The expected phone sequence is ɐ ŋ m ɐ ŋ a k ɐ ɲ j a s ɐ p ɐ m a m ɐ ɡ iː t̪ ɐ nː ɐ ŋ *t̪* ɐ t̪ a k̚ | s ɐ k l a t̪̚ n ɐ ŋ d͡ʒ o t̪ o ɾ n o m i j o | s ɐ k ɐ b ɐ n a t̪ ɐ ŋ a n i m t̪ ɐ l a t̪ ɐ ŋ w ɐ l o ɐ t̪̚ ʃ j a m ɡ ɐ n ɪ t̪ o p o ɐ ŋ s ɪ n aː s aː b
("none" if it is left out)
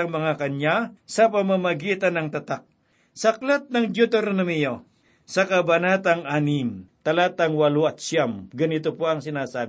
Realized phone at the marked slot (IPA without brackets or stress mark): t̪